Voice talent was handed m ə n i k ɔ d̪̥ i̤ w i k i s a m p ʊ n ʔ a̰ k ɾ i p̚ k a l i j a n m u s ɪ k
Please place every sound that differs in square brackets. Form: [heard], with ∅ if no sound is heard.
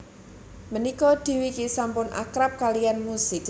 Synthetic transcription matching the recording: m ə n i k ɔ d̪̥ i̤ w i k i s a m p ʊ n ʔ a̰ k ɾ [a] p̚ k a l i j a n m u s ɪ k